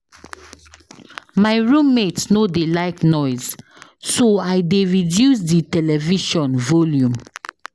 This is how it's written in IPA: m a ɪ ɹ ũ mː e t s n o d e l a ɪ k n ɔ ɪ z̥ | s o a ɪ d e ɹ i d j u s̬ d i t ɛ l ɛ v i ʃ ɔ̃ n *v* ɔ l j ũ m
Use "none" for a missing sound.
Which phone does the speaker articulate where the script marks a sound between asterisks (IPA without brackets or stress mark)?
v